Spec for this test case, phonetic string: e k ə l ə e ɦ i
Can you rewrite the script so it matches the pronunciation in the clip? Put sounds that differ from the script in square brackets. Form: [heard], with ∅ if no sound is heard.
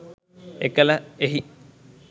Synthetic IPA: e k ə l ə e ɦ i